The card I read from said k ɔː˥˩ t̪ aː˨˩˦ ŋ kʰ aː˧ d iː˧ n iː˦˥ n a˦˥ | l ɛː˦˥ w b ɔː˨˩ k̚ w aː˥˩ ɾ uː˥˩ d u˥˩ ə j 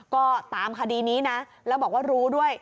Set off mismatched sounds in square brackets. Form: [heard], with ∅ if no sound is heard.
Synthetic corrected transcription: k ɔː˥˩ t̪ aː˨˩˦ [m] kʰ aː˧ d iː˧ n iː˦˥ n a˦˥ | l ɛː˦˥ w b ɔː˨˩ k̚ w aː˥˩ ɾ [uː˦˥] d u˥˩ ə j